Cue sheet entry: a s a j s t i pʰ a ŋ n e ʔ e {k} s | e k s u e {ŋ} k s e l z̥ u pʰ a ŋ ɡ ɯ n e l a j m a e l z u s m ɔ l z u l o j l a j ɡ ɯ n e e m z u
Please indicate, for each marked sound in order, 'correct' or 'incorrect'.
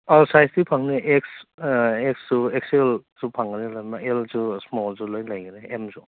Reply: correct, incorrect: none

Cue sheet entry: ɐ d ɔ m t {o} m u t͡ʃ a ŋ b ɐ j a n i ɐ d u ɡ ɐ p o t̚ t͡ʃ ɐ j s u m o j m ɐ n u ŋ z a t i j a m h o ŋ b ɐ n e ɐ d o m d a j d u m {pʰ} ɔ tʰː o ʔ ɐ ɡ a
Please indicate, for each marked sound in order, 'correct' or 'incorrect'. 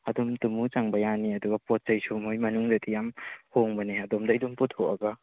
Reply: incorrect: u, incorrect: p

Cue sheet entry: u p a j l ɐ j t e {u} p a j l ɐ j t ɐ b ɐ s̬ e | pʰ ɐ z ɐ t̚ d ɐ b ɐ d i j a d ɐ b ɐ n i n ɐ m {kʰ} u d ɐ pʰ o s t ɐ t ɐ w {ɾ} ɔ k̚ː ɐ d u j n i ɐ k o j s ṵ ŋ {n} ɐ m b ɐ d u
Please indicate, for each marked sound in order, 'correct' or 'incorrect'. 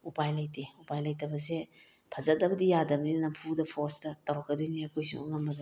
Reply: correct, incorrect: pʰ, correct, incorrect: ŋ

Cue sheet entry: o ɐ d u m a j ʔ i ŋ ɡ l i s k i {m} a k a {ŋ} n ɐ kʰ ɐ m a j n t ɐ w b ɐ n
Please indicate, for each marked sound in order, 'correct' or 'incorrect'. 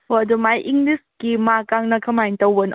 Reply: correct, correct

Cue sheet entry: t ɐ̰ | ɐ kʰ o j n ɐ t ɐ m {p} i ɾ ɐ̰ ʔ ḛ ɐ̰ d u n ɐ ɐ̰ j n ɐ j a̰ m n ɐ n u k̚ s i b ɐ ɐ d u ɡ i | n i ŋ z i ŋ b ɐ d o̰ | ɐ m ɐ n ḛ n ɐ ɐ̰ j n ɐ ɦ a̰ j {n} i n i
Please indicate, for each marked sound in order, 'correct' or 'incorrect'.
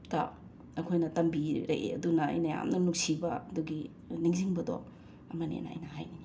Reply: incorrect: b, correct

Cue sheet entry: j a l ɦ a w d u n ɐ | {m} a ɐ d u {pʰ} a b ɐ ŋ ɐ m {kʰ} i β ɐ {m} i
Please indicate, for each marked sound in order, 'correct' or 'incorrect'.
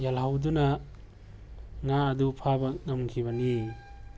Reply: incorrect: ŋ, correct, correct, incorrect: n

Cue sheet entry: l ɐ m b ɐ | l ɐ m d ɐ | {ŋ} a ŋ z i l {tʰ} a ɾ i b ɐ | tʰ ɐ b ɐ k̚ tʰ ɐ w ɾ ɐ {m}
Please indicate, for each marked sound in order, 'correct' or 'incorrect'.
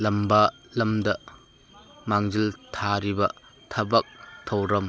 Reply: incorrect: m, correct, correct

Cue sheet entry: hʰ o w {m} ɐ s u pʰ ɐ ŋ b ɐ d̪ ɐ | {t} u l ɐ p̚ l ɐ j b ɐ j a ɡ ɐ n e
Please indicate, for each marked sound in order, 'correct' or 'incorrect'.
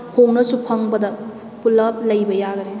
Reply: incorrect: n, incorrect: p

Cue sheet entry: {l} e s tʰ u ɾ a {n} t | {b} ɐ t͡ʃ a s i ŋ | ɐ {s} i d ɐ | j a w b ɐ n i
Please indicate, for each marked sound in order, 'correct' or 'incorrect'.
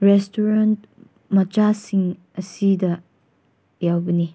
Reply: incorrect: ɾ, correct, incorrect: m, correct

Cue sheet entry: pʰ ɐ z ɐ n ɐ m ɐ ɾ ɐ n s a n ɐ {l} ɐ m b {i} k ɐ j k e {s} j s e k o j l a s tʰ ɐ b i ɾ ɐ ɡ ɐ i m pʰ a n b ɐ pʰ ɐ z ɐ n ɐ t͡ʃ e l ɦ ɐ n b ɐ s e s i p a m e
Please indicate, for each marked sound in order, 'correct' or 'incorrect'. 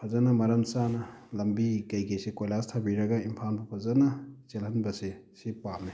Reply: correct, correct, incorrect: none

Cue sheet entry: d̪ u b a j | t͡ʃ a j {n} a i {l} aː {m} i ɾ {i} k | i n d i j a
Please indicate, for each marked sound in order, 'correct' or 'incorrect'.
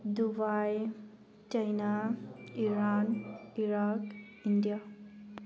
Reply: correct, incorrect: ɾ, incorrect: n, incorrect: a

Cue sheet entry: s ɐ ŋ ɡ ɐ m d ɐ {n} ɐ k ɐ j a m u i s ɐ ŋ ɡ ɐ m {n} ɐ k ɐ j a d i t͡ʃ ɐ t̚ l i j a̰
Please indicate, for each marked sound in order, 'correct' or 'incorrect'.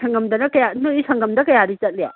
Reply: correct, incorrect: d

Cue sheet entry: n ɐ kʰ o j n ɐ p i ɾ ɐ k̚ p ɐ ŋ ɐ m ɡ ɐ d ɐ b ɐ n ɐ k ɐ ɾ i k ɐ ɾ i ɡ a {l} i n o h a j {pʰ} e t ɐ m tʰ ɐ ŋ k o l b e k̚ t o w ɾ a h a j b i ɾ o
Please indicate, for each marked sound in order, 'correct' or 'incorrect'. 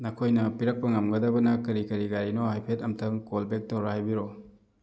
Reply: incorrect: ɾ, correct

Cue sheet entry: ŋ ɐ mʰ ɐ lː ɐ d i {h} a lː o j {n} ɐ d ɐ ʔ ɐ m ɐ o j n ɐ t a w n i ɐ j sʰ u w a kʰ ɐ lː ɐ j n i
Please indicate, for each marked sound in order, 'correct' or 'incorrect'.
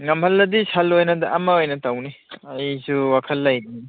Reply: incorrect: s, correct

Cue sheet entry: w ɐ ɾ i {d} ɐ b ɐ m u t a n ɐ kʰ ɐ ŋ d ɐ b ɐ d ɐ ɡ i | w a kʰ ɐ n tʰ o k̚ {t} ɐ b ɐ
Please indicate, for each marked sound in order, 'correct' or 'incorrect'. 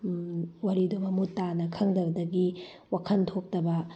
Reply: correct, correct

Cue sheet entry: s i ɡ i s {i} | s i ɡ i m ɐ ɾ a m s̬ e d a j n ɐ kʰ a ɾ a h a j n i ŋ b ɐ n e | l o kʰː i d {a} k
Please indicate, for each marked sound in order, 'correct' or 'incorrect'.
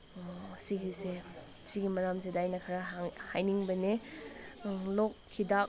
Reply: incorrect: e, correct

